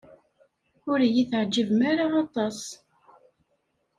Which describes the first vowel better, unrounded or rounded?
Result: rounded